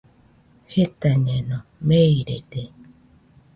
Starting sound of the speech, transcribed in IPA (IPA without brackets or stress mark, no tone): h